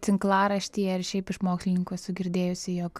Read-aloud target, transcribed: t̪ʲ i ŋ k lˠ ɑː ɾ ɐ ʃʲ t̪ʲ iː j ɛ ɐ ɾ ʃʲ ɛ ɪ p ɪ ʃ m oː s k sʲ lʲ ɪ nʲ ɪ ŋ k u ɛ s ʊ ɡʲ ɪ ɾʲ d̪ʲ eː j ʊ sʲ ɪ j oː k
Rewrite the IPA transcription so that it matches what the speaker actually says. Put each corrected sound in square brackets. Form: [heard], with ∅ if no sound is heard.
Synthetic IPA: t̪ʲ [ɪ] ŋ k lˠ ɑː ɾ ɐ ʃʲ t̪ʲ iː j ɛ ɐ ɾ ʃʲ ɛ ɪ p ɪ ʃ m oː [∅] k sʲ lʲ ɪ nʲ ɪ ŋ k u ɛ s ʊ ɡʲ ɪ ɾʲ d̪ʲ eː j ʊ sʲ ɪ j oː k

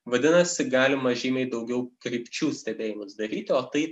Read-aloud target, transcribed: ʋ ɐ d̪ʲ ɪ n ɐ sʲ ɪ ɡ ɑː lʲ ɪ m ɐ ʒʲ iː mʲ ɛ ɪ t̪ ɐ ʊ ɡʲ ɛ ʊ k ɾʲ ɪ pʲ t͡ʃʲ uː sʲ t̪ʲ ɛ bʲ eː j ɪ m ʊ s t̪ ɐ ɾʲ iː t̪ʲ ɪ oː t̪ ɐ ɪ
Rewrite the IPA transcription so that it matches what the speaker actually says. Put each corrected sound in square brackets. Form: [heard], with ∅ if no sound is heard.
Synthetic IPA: ʋ ɐ d̪ʲ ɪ n ɐ sʲ ɪ ɡ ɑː lʲ ɪ m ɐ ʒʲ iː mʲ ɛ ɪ [d̪] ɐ ʊ ɡʲ ɛ ʊ k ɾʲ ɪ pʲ t͡ʃʲ uː sʲ t̪ʲ ɛ bʲ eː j ɪ m ʊ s [d̪] ɐ ɾʲ iː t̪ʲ ɪ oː t̪ ɐ ɪ

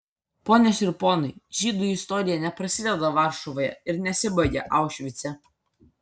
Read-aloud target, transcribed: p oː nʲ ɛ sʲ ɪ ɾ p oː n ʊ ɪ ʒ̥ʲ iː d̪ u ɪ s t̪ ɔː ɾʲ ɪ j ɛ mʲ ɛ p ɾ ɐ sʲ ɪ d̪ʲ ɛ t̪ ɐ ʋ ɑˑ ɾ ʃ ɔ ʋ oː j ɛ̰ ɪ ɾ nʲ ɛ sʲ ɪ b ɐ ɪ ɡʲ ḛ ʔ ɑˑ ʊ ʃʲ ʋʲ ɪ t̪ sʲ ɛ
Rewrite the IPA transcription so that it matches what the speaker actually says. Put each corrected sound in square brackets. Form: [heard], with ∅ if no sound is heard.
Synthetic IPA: p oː nʲ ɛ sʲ ɪ ɾ p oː n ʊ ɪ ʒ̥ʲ iː d̪ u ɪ s t̪ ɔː ɾʲ ɪ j ɛ [nʲ] ɛ p ɾ ɐ sʲ ɪ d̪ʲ ɛ [d̪] ɐ ʋ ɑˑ ɾ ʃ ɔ ʋ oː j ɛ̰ ɪ ɾ nʲ ɛ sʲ ɪ b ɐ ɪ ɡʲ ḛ ʔ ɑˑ ʊ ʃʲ ʋʲ ɪ t̪ sʲ ɛ

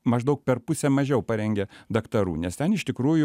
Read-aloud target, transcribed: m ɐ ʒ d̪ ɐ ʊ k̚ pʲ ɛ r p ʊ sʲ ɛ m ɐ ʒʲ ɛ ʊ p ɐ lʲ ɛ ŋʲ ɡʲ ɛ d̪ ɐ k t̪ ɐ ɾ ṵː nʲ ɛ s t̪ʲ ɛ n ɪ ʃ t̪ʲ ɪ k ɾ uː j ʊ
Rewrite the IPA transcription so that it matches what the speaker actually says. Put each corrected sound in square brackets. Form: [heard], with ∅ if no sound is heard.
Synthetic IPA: m ɐ ʒ d̪ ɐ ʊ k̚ pʲ ɛ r p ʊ sʲ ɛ m ɐ ʒʲ ɛ ʊ p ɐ [ɾʲ] ɛ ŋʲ ɡʲ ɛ d̪ ɐ k t̪ ɐ ɾ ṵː nʲ ɛ s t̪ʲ ɛ n ɪ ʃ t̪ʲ ɪ k ɾ uː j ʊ

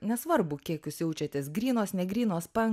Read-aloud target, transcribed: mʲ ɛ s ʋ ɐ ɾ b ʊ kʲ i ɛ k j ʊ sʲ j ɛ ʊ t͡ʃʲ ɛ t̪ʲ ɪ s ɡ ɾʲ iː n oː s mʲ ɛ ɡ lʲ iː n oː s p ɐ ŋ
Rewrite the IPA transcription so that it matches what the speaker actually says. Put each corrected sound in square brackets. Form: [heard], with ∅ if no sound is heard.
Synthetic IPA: [nʲ] ɛ s ʋ ɐ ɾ b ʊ kʲ i ɛ k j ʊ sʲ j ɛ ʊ t͡ʃʲ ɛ t̪ʲ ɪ s ɡ ɾʲ iː n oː s [nʲ] ɛ ɡ [ɾʲ] iː n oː s p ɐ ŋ

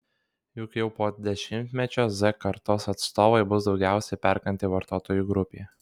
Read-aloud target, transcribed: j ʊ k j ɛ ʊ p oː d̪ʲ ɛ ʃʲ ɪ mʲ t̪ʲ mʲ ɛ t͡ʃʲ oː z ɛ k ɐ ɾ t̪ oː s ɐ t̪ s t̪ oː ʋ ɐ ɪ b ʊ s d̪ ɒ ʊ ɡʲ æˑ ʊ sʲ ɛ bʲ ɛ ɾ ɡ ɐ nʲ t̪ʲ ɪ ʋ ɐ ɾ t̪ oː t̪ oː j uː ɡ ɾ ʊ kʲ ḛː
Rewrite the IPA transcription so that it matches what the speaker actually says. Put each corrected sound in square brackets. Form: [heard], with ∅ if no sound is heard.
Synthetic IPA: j ʊ k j ɛ ʊ p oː d̪ʲ ɛ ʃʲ ɪ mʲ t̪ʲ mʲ ɛ t͡ʃʲ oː z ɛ k ɐ ɾ t̪ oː s ɐ t̪ s t̪ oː ʋ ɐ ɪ b ʊ s d̪ ɒ ʊ ɡʲ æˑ ʊ sʲ ɛ [pʲ] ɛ ɾ [k] ɐ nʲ t̪ʲ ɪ ʋ ɐ ɾ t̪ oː t̪ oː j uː ɡ ɾ ʊ [pʲ] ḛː

